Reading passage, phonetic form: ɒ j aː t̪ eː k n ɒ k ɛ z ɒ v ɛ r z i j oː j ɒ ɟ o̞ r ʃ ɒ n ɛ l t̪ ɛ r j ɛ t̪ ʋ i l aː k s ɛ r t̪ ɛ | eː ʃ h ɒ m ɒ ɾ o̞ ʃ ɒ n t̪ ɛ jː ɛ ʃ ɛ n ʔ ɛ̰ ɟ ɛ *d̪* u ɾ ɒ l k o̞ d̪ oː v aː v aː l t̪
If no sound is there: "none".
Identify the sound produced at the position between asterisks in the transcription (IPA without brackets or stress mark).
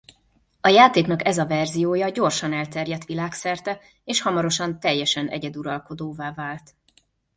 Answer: d̪